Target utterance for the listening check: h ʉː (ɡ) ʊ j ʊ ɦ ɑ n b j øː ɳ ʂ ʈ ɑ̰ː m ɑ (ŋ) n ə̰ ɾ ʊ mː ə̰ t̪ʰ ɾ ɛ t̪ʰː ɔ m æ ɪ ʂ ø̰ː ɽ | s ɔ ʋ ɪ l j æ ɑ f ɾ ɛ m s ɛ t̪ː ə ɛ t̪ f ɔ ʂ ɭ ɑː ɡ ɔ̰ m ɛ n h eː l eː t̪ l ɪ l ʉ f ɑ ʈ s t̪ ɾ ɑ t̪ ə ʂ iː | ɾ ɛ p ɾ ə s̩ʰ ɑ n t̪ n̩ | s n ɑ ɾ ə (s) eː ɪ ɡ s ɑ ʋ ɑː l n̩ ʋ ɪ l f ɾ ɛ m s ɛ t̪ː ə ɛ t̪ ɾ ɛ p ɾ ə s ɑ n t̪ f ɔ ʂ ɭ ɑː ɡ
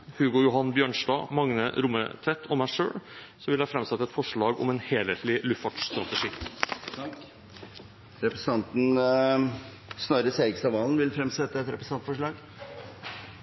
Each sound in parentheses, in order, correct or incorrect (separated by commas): correct, correct, correct